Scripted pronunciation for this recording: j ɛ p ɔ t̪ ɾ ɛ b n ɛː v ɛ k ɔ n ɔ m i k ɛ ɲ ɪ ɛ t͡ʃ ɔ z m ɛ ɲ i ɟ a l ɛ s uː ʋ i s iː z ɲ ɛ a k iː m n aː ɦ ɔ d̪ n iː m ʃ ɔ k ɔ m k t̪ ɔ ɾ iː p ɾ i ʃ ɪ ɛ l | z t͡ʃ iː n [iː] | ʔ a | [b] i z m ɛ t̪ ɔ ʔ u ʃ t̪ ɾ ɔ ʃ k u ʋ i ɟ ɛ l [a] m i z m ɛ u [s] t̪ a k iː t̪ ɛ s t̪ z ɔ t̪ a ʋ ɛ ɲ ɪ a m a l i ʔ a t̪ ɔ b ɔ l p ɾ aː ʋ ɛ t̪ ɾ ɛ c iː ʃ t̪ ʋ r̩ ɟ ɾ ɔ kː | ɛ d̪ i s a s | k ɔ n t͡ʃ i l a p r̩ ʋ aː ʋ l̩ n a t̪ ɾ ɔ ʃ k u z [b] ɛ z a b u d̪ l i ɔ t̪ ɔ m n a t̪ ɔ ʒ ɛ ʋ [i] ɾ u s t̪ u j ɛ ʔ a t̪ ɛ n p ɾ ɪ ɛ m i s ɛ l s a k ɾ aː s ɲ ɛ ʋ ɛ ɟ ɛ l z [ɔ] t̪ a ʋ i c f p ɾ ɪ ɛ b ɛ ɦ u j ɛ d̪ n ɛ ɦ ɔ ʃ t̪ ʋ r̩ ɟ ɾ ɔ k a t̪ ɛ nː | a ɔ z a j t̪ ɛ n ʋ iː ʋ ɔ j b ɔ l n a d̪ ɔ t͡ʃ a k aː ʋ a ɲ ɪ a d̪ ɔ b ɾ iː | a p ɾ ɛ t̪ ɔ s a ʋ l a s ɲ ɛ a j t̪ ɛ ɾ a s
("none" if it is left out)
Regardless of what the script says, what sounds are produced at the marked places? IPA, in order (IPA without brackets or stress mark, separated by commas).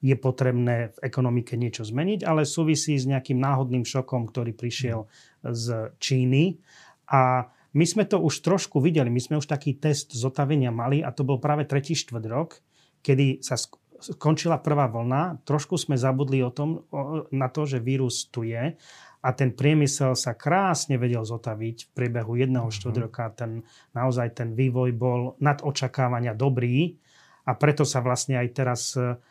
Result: i, m, i, ʃ, m, iː, ɔ